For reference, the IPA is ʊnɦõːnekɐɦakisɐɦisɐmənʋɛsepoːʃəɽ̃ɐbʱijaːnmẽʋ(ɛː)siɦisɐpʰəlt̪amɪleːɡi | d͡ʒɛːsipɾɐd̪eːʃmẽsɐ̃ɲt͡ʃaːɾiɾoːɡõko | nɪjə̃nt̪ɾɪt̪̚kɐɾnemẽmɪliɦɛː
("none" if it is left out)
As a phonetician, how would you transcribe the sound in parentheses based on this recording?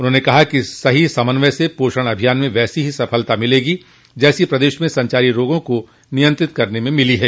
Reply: ɛː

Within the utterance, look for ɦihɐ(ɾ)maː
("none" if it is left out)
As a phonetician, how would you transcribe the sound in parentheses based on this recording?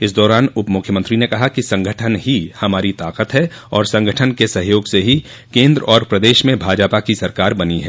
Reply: none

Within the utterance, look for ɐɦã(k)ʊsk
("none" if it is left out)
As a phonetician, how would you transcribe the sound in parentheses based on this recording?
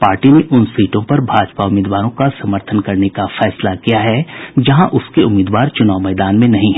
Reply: ʔ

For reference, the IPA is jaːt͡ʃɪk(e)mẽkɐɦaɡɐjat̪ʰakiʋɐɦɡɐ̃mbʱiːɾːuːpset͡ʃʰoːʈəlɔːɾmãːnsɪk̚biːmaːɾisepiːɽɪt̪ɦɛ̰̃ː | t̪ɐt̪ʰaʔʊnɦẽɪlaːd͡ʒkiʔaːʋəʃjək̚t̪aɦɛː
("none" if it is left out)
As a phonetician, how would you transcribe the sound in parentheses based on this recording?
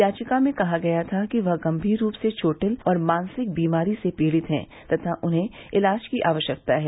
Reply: a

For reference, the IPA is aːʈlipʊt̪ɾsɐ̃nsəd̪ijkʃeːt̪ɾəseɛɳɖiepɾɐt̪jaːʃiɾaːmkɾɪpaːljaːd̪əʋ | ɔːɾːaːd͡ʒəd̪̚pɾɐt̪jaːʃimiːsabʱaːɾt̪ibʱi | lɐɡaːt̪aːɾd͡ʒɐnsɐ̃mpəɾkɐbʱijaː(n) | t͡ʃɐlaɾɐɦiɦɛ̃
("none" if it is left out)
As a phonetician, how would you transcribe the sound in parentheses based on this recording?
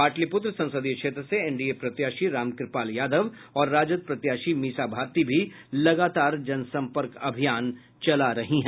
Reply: n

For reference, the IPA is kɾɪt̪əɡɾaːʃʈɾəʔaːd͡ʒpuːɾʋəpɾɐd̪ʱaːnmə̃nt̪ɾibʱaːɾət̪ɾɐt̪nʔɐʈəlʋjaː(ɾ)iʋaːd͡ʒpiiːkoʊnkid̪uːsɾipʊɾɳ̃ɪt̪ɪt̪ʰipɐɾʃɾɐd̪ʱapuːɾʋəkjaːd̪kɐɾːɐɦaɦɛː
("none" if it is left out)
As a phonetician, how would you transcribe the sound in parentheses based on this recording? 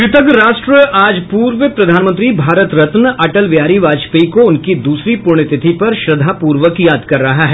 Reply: ɾ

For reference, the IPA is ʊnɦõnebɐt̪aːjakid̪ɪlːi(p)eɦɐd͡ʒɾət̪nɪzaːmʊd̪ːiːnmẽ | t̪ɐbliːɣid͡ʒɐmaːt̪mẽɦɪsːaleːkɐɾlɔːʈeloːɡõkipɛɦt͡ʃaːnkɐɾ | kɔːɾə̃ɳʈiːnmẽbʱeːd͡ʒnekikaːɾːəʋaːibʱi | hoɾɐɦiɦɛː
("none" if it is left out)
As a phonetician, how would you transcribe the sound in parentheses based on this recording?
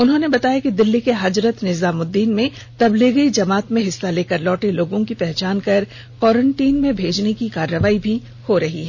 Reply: k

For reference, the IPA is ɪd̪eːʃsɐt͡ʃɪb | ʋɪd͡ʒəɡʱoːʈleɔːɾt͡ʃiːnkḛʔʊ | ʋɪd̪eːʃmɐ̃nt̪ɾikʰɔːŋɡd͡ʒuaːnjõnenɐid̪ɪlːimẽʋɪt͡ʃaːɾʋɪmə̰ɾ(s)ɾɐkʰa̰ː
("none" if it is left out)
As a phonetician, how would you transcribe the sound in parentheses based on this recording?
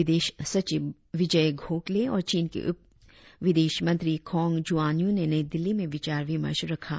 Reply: ʃ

